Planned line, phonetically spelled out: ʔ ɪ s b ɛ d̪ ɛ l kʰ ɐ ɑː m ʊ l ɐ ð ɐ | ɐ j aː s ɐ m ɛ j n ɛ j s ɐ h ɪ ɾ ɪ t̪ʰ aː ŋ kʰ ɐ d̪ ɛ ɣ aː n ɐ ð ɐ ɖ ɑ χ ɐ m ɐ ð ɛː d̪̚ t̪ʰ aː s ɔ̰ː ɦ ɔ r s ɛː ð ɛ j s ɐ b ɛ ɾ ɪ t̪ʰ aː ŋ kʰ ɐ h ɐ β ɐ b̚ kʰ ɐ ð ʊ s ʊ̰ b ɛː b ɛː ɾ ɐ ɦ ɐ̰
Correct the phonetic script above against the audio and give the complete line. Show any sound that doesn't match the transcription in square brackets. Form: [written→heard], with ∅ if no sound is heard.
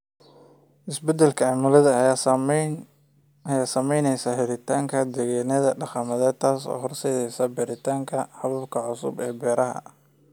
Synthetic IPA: ʔ ɪ s b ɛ d̪ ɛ l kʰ ɐ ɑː m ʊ l ɐ ð ɐ | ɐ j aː s ɐ m ɛ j n ɛ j s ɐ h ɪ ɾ ɪ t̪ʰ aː ŋ kʰ ɐ d̪ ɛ ɣ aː n ɐ ð ɐ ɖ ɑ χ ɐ m ɐ ð ɛː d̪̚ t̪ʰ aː s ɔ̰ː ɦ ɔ r s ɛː ð ɛ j s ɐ b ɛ ɾ ɪ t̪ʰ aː ŋ kʰ ɐ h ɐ β ɐ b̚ kʰ ɐ [ð→ʕ] ʊ s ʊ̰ b ɛː b ɛː ɾ ɐ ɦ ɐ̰